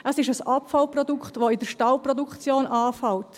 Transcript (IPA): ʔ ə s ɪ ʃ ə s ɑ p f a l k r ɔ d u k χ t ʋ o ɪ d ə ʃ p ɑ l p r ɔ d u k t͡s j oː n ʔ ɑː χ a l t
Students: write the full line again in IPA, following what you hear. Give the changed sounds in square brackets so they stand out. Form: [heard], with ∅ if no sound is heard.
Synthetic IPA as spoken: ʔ ə s ɪ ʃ ə s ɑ p f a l [p] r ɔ d u k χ t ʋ o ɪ d ə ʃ [t] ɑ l p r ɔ d u k t͡s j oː n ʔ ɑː [f] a l t